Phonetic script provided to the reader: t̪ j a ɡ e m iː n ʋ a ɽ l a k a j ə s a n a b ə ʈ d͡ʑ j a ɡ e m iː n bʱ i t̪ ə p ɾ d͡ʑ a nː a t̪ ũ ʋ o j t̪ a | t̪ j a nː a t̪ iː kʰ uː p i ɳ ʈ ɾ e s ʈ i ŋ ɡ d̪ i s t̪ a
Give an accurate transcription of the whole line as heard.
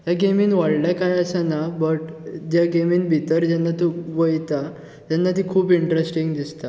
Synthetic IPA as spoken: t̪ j a ɡ e m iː n ʋ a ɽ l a k a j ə s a n a b ə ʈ d͡ʑ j a ɡ e m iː n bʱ i t̪ ə ɾ d͡ʑ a nː a t̪ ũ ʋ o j t̪ a | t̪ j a nː a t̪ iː kʰ uː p i ɳ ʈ ɾ e s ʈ i ŋ ɡ d̪ i s t̪ a

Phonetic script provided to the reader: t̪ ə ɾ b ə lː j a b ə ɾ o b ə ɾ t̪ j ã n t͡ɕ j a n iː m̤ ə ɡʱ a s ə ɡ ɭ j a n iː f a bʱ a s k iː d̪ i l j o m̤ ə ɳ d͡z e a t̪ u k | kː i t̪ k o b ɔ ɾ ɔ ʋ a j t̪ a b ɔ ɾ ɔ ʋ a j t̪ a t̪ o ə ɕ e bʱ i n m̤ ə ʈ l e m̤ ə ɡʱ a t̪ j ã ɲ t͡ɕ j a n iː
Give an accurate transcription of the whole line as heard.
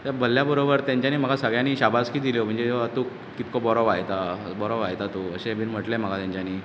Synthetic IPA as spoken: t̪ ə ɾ b ə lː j a b ə ɾ o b ə ɾ t̪ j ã ɲ t͡ɕ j a n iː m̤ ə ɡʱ a s ə ɡ ɭ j a n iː ɕ a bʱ a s k iː d̪ i l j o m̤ ə ɳ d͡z e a t̪ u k | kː i t̪ k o b ɔ ɾ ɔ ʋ a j t̪ a b ɔ ɾ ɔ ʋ a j t̪ a t̪ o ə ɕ e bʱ i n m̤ ə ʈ l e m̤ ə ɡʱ a t̪ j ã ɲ t͡ɕ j a n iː

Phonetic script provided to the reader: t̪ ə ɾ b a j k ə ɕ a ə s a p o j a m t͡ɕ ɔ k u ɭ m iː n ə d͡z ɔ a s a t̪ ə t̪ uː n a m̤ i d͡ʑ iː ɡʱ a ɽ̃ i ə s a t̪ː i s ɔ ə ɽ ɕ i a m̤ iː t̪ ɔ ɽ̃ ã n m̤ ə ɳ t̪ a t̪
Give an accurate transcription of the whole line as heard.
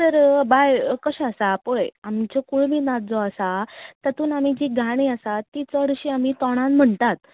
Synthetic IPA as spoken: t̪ ə ɾ b a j k ə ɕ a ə s a p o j a m t͡ɕ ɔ k u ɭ m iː n a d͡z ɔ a s a t̪ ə t̪ uː n a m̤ i d͡ʑ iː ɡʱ a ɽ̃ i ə s a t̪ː i t͡s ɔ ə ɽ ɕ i a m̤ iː t̪ ɔ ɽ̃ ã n m̤ ə ɳ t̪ a t̪

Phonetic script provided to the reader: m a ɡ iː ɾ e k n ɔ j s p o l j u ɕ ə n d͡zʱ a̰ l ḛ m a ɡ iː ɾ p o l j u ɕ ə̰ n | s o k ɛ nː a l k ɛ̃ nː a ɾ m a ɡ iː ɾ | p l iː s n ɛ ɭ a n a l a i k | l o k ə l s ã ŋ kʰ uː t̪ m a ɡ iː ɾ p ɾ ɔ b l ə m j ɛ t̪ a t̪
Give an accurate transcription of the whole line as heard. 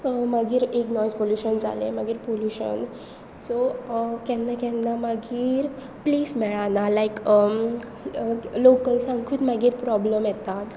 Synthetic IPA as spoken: m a ɡ iː ɾ e k n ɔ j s p o l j u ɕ ə n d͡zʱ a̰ l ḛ m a ɡ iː ɾ p o l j u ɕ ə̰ n | s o k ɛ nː a k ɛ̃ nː a m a ɡ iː ɾ | p l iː s m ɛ ɭ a n a l a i k | l o k ə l s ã ŋ kʰ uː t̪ m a ɡ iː ɾ p ɾ ɔ b l ə m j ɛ t̪ a t̪

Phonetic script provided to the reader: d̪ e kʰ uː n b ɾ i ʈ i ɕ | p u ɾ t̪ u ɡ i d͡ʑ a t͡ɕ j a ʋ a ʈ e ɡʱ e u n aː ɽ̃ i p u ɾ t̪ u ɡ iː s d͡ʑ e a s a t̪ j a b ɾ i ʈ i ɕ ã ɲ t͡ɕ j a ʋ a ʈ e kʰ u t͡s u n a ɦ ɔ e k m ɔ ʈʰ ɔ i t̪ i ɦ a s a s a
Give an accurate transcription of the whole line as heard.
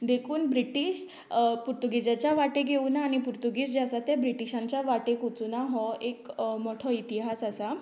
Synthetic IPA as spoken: d̪ e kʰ uː n b ɾ i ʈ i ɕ | p u ɾ t̪ u ɡ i d͡ʑ a t͡ɕ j a ʋ a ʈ e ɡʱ e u n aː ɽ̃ i p u ɾ t̪ u ɡ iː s d͡ʑ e a s a t̪ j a b ɾ i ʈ i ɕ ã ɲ t͡ɕ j a ʋ a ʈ e k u t͡s u n a ɦ ɔ e k m ɔ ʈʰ ɔ i t̪ i ɦ a s a s a

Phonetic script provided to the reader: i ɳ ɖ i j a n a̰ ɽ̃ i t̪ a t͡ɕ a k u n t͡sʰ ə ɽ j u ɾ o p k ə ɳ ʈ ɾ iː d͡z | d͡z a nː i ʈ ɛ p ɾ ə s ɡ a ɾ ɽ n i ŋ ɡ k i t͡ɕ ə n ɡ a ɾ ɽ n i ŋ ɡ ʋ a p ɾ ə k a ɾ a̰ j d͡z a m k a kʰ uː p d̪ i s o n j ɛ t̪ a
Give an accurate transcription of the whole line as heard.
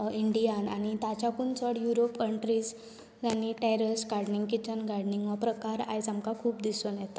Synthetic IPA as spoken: i ɳ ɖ i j a n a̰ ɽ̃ i t̪ a t͡ɕ a k u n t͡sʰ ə ɽ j u ɾ o p k ə ɳ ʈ ɾ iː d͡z | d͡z a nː i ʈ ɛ ɾ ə s ɡ a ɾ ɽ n i ŋ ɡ k i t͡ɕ ə n ɡ a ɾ ɽ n i ŋ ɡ ʋ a p ɾ ə k a ɾ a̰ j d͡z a m k a kʰ uː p d̪ i s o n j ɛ t̪ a

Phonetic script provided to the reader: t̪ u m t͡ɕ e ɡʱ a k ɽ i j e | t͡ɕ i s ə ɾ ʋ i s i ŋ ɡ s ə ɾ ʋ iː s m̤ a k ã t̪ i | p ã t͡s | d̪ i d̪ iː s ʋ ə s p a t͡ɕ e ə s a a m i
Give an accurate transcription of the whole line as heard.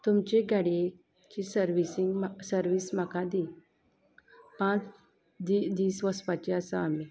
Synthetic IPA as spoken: t̪ u m t͡ɕ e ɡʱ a ɽ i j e | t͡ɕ i s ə ɾ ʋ i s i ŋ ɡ s ə ɾ ʋ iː s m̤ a k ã d̪ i | p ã t͡s | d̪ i d̪ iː s ʋ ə s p a t͡ɕ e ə s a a m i

